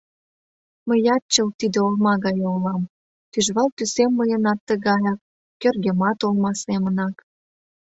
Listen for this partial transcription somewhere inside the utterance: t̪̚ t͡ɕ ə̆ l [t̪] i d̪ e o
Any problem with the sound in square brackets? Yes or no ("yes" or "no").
no